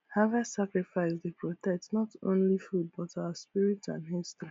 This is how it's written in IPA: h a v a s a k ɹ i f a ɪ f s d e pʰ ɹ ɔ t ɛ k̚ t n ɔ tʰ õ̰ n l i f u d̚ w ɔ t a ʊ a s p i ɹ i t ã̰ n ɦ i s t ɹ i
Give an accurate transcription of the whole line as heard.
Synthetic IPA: h a v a s a k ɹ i f a ɪ s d e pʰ ɹ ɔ t ɛ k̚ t n ɔ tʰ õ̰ n l i f u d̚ b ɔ t a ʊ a s p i ɹ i t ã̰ n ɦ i s t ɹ i